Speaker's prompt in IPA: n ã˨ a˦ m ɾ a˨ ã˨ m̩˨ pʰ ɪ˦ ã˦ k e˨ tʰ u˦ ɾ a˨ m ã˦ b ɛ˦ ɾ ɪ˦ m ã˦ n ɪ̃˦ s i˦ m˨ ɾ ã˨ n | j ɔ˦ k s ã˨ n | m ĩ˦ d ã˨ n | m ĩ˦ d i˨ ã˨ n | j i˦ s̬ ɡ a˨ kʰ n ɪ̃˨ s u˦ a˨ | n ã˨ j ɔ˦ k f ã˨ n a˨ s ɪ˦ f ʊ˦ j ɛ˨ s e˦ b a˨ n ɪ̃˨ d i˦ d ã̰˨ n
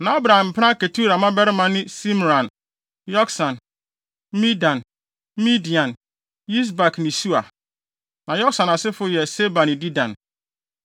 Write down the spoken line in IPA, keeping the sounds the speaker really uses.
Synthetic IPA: n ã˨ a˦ b ɾ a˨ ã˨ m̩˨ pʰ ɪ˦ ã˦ k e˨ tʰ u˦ ɾ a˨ m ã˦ b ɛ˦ ɾ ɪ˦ m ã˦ n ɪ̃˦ s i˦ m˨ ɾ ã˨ n | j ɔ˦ k s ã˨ n | m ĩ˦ d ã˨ n | m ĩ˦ d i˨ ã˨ n | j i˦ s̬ b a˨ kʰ n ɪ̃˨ s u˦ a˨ | n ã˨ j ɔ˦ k s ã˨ n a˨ s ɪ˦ f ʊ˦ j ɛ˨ s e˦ b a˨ n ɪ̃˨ d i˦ d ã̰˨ n